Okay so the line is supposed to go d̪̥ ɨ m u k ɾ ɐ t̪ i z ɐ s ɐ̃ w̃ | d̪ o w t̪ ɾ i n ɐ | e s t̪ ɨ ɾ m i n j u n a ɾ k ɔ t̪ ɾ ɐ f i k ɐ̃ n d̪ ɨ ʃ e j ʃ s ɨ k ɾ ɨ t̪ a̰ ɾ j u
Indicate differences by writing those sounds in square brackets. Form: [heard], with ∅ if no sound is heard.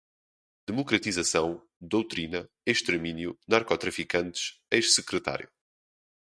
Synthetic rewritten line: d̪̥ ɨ m u k ɾ ɐ t̪ i z ɐ s ɐ̃ w̃ | d̪ o w t̪ ɾ i n ɐ | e [ʃ] t̪ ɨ ɾ m i n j u n a ɾ k ɔ t̪ ɾ ɐ f i k ɐ̃ n [t̪] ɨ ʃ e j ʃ s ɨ k ɾ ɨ t̪ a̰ ɾ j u